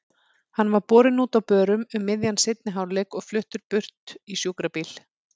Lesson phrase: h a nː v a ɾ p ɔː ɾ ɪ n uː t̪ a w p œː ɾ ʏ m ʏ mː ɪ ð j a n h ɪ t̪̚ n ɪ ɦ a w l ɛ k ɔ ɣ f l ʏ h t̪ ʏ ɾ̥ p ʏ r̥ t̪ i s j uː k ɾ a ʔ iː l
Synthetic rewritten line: h a nː v a ɾ p ɔː ɾ ɪ n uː t̪ a w p œː ɾ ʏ m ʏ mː ɪ ð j a n s ɪ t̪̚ n ɪ ɦ a w l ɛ k ɔ ɣ f l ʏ h t̪ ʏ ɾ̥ p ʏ r̥ t̪ i s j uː k ɾ a p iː l